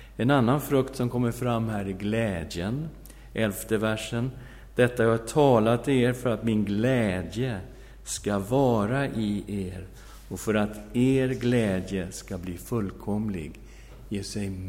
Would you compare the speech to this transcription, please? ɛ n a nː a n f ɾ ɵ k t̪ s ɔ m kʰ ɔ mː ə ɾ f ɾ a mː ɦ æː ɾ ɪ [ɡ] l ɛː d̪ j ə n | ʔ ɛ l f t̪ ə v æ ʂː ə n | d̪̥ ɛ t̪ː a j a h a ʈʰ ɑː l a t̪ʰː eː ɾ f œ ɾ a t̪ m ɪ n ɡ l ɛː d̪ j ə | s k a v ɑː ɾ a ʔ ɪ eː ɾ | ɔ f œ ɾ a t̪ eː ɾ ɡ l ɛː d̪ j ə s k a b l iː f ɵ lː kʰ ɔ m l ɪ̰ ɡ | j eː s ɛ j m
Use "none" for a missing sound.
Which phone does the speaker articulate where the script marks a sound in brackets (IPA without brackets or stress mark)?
ɡ